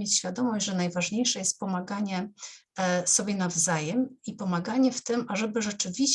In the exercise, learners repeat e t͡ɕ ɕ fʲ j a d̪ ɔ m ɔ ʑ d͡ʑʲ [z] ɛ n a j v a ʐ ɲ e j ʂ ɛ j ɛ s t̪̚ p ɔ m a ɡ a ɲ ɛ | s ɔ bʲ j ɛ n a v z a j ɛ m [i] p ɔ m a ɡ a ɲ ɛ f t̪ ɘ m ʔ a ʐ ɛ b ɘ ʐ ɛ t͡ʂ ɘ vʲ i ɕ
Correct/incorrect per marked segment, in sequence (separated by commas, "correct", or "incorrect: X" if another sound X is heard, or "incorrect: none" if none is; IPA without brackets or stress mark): incorrect: ʐ, correct